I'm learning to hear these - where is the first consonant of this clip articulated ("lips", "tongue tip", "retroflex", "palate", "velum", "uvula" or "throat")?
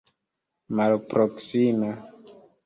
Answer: lips